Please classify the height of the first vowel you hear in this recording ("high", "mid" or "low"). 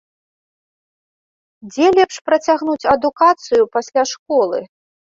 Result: mid